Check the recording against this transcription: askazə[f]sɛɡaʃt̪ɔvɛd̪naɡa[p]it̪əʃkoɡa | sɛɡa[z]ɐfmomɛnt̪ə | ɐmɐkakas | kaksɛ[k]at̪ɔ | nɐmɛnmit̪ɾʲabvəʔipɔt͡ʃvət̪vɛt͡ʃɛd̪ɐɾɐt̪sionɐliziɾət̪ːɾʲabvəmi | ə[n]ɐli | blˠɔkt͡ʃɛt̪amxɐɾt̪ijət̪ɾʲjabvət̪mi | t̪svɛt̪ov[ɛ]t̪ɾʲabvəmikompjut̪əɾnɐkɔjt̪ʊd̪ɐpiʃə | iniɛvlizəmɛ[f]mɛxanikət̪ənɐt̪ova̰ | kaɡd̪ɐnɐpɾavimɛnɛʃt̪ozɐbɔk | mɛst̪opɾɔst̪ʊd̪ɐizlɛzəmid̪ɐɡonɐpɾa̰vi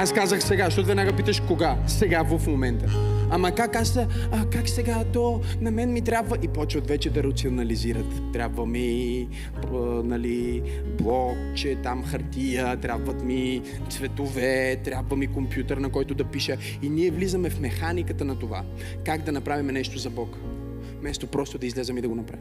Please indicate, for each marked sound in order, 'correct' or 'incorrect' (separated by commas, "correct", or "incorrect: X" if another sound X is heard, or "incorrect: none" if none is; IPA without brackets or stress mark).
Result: incorrect: x, correct, incorrect: v, incorrect: ɡ, correct, correct, correct